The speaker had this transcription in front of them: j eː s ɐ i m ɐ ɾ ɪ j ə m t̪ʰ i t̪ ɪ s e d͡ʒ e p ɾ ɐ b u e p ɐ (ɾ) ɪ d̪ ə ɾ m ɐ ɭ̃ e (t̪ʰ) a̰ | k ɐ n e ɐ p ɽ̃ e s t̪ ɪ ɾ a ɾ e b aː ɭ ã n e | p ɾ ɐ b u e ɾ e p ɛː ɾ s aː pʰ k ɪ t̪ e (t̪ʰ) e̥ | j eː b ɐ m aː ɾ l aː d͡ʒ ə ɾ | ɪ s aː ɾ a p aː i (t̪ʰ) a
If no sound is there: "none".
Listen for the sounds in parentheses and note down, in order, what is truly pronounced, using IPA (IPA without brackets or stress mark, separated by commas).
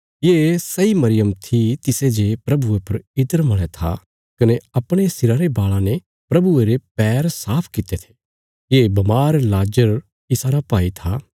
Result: ɾ, t̪ʰ, t̪ʰ, t̪ʰ